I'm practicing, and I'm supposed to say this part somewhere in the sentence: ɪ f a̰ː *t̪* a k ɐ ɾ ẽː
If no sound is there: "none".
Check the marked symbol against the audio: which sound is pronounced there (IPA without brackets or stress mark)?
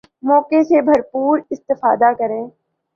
d̪